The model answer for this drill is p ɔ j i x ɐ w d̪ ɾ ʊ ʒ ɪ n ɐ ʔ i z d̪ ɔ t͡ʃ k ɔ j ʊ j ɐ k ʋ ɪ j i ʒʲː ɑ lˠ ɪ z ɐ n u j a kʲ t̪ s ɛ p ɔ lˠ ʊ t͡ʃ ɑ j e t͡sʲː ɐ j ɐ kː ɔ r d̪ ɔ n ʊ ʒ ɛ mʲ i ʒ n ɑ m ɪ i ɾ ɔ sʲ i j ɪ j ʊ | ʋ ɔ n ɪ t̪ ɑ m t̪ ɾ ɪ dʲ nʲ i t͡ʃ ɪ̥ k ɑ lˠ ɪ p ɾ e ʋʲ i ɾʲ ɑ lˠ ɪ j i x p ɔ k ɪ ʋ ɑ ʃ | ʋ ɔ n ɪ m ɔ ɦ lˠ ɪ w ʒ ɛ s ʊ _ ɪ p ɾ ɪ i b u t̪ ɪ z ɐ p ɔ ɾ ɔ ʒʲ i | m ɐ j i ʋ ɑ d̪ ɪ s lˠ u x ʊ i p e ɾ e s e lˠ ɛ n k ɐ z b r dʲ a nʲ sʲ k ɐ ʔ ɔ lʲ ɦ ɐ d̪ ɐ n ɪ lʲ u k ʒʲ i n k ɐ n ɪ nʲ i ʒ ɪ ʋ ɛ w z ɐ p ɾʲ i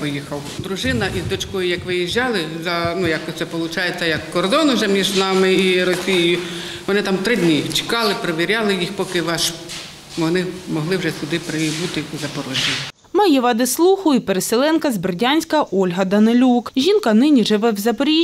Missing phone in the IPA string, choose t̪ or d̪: d̪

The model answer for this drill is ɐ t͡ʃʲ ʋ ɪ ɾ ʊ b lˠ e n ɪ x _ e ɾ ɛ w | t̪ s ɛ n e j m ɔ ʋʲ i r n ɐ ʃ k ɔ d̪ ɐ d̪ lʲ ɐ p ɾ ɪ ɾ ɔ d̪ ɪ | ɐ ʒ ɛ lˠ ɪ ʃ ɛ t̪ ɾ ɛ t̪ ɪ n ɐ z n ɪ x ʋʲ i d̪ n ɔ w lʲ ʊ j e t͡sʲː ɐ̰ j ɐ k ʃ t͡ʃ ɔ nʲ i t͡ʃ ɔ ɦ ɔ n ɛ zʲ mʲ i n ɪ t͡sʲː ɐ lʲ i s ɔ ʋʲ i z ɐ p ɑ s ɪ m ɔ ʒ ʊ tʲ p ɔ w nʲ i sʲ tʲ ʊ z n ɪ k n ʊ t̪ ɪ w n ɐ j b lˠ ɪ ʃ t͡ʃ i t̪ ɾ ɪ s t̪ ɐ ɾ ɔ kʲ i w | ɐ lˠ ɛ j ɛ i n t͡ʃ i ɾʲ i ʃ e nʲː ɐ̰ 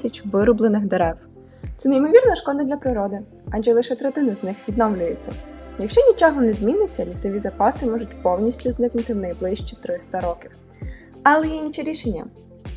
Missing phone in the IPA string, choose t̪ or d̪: d̪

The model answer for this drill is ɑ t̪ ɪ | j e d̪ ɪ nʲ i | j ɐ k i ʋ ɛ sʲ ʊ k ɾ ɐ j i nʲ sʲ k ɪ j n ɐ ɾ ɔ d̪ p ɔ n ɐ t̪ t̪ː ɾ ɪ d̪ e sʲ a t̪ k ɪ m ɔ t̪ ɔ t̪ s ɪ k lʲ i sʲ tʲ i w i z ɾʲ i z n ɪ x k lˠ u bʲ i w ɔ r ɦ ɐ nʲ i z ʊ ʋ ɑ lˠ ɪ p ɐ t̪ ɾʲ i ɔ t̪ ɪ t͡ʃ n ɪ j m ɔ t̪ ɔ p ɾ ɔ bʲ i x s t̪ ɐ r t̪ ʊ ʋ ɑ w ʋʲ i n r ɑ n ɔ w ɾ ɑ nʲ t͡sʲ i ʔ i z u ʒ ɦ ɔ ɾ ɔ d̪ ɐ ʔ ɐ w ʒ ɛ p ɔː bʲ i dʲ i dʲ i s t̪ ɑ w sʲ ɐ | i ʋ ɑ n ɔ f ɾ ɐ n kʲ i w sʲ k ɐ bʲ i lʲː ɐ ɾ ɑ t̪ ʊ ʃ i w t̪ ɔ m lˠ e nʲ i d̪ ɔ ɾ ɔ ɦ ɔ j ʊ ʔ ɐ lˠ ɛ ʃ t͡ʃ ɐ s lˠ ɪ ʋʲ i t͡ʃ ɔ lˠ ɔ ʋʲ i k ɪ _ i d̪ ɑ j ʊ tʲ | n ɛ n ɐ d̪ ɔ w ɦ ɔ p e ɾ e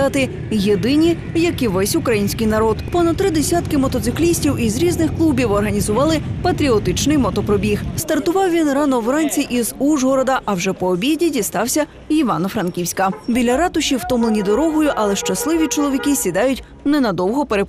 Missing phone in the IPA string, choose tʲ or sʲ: sʲ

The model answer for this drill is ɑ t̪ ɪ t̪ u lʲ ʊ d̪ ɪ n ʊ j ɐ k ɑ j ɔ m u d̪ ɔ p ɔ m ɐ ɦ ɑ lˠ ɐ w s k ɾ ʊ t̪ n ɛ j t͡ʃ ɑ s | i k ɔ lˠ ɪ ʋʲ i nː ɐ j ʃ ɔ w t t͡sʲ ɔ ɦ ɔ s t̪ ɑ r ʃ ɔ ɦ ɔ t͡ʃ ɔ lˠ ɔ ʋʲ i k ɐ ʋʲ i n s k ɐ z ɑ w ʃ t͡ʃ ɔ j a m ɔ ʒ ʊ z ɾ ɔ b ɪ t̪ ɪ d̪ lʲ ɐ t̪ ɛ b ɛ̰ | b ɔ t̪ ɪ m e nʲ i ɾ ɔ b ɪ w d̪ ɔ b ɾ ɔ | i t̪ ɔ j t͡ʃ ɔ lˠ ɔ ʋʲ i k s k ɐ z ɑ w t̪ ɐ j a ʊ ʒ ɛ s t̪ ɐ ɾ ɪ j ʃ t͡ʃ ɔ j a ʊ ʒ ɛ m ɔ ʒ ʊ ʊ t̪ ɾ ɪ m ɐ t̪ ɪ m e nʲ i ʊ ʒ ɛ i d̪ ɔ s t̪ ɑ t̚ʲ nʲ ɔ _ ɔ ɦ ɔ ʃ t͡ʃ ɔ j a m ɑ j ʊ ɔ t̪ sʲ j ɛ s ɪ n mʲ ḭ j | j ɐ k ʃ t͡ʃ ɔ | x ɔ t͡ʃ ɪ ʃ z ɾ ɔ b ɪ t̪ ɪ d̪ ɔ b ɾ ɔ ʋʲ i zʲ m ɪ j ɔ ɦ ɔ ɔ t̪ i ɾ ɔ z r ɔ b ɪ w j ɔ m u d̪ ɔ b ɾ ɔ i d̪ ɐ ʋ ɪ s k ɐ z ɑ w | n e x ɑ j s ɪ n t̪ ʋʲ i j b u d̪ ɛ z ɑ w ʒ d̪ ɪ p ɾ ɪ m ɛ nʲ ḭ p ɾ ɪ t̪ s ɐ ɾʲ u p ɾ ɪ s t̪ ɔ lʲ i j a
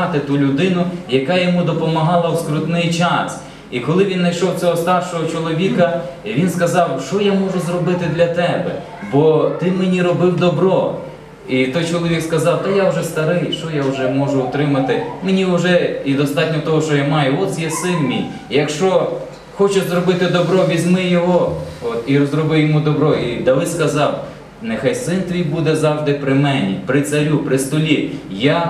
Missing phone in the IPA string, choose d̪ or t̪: t̪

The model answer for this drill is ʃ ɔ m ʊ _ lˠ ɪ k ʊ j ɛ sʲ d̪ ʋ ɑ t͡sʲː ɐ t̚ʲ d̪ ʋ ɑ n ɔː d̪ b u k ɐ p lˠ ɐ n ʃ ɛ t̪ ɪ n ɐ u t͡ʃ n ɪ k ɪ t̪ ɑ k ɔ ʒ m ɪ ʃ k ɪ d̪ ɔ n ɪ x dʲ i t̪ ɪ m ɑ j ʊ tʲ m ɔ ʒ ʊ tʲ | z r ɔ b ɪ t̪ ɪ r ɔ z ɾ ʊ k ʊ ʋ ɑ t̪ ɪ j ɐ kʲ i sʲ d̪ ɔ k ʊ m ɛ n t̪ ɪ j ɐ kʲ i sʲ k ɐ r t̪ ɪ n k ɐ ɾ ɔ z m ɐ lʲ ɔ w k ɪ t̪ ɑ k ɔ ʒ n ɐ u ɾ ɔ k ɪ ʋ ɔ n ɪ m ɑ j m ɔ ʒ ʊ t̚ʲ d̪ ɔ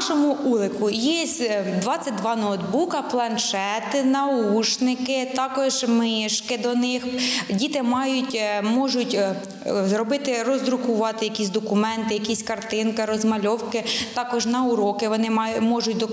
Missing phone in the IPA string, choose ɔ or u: u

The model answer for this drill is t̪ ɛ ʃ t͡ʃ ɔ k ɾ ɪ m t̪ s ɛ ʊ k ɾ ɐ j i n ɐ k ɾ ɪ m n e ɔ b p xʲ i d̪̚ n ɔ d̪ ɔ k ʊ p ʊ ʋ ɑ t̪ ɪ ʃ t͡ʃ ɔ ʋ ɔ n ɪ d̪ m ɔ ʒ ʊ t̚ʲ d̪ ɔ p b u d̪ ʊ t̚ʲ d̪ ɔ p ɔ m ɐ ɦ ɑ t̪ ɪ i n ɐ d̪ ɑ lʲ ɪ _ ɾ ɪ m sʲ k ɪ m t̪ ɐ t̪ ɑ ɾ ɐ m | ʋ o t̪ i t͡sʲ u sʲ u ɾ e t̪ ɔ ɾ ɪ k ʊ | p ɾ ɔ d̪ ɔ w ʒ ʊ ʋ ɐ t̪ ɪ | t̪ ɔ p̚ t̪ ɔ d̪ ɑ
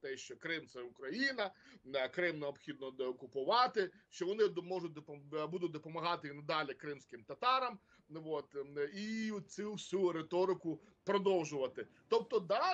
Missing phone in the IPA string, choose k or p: k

